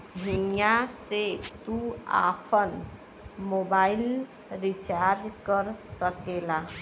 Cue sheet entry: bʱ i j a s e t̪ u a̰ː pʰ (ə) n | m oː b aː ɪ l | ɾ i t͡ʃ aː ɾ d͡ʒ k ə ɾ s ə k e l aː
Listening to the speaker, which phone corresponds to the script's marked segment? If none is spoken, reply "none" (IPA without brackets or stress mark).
ə